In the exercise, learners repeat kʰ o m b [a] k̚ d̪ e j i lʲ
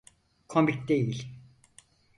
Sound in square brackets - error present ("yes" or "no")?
yes